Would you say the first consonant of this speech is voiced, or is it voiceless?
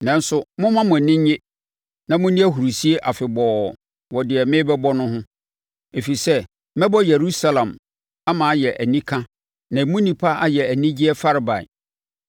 voiced